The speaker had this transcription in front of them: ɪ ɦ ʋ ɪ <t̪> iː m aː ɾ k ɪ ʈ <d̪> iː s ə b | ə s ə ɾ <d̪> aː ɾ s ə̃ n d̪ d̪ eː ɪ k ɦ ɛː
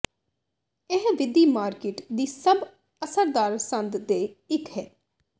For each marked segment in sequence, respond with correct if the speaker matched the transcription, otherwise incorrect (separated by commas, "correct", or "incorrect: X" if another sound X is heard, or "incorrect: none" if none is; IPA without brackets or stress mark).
incorrect: d̪, correct, correct